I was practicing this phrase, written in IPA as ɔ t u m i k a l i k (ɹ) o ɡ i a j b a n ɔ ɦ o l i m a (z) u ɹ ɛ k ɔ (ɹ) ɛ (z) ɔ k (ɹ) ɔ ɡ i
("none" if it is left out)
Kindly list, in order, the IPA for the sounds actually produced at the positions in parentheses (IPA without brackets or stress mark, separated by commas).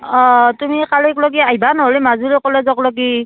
l, z, l, z, l